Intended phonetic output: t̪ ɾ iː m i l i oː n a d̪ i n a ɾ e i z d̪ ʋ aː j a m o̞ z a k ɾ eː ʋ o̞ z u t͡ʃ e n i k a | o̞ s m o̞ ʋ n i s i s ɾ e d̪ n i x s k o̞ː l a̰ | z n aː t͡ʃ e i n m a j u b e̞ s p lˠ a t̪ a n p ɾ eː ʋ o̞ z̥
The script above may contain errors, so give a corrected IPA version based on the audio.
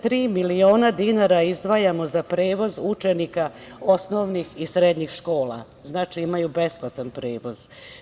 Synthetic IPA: t̪ ɾ iː m i l i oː n a d̪ i n a ɾ a i z d̪ ʋ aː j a m o̞ z a p ɾ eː ʋ o̞ z u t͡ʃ e n i k a | o̞ s n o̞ ʋ n i x i s ɾ e d̪ ɲ i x ʃ k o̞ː l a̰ | z n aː t͡ʃ i i m a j u b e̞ s p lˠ a t̪ a n p ɾ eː ʋ o̞ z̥